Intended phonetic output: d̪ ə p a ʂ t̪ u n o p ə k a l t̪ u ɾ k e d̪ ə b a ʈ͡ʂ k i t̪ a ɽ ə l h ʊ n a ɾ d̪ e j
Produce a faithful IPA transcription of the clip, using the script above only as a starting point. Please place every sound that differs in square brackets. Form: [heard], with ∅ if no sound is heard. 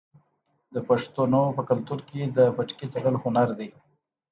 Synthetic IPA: d̪ ə p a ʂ t̪ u n o p ə k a l t̪ u ɾ k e d̪ ə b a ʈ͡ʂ k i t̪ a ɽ ə l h ʊ n a ɾ d̪ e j